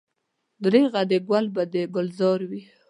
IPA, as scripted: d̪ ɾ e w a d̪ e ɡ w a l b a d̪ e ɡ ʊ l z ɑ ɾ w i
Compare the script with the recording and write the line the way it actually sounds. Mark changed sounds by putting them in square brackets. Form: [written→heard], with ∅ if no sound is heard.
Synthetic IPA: d̪ ɾ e [w→ɣ] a d̪ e ɡ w a l b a d̪ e ɡ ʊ l z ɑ ɾ w i